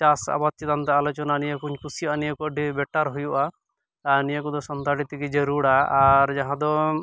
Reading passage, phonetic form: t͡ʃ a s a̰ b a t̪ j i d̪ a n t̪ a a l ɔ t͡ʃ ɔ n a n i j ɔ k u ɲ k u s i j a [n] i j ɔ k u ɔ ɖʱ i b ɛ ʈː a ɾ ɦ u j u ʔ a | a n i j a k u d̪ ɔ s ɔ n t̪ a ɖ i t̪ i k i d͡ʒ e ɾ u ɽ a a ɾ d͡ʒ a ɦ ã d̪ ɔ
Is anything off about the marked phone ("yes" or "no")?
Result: no